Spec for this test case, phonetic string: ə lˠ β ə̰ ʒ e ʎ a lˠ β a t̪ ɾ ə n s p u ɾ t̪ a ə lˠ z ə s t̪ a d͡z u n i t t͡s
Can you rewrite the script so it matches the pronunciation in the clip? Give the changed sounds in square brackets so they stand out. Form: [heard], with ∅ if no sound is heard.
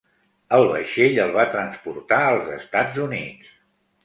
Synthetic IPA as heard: ə lˠ β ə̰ [ʃ] e ʎ [ə] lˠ β a t̪ ɾ ə n s p u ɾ t̪ a ə lˠ z ə s t̪ a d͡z u n i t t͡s